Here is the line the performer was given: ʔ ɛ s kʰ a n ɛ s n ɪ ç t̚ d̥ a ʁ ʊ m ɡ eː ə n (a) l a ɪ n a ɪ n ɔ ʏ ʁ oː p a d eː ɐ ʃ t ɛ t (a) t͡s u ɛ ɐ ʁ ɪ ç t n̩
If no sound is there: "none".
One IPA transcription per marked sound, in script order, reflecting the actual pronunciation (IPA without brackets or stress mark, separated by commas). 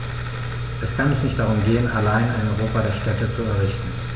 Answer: a, ə